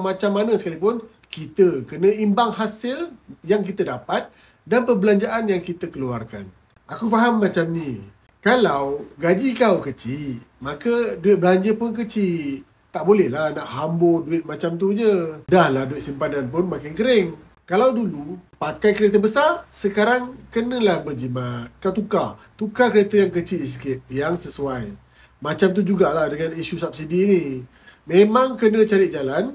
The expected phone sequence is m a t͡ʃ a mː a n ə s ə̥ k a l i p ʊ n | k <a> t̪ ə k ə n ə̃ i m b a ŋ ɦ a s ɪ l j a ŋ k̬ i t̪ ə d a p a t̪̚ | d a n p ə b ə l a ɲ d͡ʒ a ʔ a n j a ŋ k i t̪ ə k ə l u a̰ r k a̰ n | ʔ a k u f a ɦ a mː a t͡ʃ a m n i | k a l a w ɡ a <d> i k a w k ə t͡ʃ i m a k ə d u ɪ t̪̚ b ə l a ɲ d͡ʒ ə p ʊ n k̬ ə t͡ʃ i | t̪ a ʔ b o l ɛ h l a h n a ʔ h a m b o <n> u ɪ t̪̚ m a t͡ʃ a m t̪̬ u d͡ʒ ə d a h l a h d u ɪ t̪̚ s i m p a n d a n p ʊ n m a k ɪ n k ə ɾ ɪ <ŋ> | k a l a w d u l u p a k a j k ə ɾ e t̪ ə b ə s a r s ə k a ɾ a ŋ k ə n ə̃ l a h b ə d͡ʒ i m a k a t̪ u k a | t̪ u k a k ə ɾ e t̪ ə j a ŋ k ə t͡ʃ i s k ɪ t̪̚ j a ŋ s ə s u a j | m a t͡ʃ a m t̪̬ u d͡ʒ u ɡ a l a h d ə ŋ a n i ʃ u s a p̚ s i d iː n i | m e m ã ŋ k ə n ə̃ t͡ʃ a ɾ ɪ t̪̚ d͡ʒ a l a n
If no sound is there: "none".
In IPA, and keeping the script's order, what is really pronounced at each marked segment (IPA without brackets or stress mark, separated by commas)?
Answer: i, d͡ʒ, d, ŋ